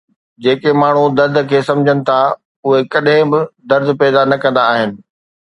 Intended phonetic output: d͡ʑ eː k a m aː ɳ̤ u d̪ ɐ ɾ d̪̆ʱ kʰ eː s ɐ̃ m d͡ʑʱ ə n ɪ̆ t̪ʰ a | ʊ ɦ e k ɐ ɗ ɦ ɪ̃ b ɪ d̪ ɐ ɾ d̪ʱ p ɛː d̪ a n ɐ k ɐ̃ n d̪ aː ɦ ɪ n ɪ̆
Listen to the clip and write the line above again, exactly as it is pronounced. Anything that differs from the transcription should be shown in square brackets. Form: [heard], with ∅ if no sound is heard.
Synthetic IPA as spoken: d͡ʑ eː k [e] m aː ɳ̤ u d̪ ɐ ɾ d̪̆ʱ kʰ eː s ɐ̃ m d͡ʑʱ ə n ɪ̆ t̪ʰ a | ʊ ɦ e k ɐ ɗ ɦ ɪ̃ b ɪ d̪ ɐ ɾ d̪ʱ p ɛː d̪ a n ɐ k ɐ̃ n d̪ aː ɦ ɪ n ɪ̆